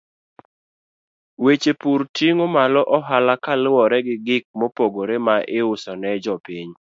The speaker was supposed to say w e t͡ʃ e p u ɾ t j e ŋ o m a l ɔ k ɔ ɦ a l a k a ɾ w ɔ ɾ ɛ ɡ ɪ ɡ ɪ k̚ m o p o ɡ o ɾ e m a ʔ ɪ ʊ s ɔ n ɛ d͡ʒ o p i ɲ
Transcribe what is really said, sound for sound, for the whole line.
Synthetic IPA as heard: w e t͡ʃ e p u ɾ t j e ŋ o m a l ɔ ʔ ɔ ɦ a l a k a l w ɔ ɾ ɛ ɡ ɪ ɡ ɪ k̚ m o p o ɡ o ɾ e m a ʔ ɪ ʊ s ɔ n ɛ d͡ʒ ɔ p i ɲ